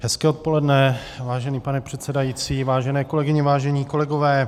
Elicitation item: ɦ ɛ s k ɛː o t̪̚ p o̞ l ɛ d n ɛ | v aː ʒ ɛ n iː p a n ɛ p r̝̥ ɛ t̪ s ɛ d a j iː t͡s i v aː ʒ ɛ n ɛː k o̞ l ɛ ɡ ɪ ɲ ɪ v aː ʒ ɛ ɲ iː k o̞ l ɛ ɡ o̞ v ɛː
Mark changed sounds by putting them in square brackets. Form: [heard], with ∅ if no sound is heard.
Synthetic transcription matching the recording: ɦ ɛ s k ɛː o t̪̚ p o̞ l ɛ d n ɛ | v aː ʒ ɛ n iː p a n ɛ p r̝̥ ɛ t̪ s ɛ d a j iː t͡s [iː] v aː ʒ ɛ n ɛː k o̞ l ɛ ɡ ɪ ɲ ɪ v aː ʒ ɛ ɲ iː k o̞ l ɛ ɡ o̞ v ɛː